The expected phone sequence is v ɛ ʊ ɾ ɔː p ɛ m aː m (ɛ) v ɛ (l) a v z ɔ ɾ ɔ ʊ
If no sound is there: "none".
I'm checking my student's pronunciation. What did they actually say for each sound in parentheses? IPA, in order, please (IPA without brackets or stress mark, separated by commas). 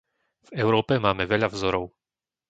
ɛ, ʎ